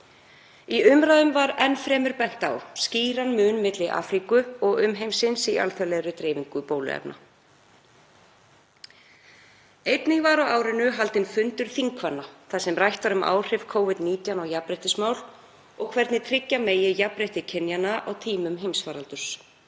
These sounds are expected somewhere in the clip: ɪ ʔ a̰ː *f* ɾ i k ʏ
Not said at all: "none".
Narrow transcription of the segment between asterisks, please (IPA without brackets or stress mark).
f